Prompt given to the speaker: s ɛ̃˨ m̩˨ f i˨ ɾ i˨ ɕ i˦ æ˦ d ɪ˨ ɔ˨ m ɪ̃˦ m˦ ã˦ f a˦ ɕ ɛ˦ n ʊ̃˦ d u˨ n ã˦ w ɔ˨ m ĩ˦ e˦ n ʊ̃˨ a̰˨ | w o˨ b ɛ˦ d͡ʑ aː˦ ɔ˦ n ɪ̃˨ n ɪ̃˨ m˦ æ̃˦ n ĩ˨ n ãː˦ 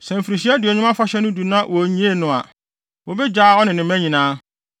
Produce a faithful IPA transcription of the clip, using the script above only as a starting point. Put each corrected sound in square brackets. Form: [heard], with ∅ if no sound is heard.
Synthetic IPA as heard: s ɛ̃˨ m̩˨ f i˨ ɾ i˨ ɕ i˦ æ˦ d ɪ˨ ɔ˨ [ɲ] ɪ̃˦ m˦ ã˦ f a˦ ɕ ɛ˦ n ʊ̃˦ d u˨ n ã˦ w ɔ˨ [ɲ] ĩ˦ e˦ n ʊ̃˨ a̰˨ | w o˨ b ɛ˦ d͡ʑ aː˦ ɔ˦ n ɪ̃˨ n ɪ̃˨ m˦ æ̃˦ [ɲ] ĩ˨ n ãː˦